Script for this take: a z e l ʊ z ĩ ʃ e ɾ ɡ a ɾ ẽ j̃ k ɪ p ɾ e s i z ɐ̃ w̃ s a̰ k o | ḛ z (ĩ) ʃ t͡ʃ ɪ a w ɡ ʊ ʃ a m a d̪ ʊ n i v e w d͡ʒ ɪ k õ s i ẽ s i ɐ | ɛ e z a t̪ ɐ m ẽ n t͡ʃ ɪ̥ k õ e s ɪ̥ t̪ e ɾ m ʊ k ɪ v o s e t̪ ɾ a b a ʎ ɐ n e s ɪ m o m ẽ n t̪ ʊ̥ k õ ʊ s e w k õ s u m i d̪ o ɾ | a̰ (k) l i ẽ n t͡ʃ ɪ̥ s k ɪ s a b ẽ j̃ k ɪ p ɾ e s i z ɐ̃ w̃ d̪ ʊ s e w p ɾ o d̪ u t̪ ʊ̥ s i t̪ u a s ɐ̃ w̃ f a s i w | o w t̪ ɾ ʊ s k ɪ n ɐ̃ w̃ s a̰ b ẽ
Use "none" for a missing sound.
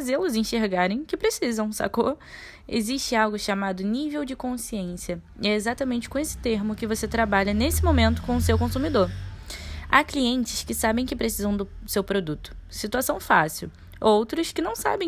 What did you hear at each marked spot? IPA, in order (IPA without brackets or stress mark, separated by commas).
i, k